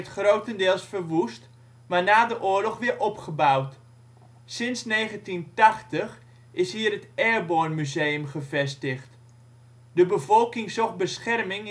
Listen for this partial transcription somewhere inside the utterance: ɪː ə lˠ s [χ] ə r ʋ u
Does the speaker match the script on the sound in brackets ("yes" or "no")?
no